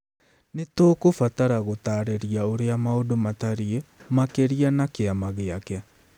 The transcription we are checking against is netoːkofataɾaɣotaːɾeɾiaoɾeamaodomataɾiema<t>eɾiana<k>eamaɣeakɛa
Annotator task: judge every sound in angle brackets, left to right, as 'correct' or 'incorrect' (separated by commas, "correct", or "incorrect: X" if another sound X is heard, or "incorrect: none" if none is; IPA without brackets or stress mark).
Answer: incorrect: k, correct